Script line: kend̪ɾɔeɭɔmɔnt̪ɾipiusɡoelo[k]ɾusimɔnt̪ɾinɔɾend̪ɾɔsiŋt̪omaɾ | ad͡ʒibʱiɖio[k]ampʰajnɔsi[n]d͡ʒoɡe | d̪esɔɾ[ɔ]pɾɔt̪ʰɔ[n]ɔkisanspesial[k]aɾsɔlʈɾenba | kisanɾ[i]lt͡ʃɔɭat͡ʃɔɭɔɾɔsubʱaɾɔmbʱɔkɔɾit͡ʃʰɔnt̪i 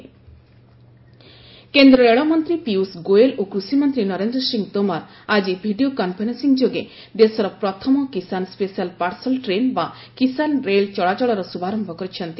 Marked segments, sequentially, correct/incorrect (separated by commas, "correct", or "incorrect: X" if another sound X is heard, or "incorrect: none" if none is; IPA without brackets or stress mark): correct, correct, incorrect: ŋ, correct, incorrect: m, incorrect: p, incorrect: e